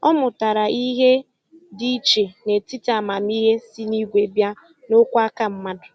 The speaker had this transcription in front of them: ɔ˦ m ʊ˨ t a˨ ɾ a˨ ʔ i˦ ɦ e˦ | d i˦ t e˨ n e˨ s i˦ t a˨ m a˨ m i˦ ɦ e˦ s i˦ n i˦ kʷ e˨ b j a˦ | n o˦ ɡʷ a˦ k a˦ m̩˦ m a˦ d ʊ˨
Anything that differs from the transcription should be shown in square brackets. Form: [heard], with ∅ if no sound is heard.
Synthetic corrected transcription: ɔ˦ m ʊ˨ t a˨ ɾ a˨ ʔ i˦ ɦ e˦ | d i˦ [t͡ʃ] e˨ n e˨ [t] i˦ t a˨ m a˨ m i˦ ɦ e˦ s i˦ n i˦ [ɡʷ] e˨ b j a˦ | n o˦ [kʷ] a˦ k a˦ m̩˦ m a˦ d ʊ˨